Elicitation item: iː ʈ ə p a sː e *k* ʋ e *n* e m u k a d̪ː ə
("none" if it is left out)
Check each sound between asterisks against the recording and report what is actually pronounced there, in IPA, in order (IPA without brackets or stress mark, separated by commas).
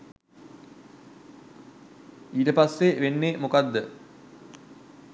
none, nː